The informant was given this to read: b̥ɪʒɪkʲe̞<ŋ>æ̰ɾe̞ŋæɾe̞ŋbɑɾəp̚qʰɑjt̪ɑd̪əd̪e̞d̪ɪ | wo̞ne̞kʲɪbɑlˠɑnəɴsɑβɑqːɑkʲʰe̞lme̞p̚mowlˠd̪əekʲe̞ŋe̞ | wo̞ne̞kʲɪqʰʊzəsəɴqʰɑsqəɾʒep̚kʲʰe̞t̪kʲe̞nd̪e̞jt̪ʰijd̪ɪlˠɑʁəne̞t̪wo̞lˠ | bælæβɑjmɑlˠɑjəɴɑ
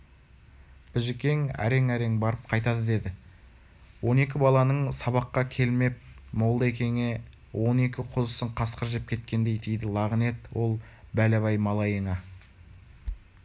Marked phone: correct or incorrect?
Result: correct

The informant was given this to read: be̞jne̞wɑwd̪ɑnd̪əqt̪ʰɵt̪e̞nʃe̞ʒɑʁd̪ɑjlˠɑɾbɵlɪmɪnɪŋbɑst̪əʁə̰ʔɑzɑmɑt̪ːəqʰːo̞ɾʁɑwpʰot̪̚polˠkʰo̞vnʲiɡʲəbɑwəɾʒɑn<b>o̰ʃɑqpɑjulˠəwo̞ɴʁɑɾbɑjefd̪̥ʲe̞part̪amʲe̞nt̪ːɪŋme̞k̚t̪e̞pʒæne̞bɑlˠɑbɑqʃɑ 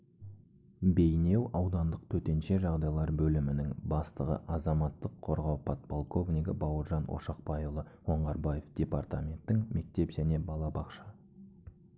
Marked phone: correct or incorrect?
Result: incorrect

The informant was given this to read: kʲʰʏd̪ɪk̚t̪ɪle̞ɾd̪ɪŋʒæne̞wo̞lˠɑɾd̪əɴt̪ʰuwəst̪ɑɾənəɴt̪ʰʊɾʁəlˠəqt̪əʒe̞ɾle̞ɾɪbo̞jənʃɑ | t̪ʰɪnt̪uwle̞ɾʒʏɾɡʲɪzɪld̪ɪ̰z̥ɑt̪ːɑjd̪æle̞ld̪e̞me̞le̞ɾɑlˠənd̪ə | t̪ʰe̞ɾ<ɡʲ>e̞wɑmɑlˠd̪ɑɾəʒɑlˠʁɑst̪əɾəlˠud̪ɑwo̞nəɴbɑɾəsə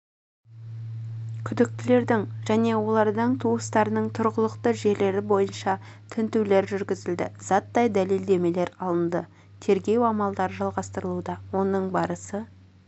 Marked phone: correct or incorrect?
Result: correct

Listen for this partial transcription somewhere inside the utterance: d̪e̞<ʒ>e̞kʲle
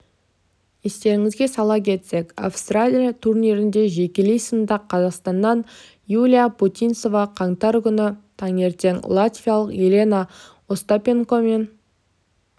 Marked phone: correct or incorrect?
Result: correct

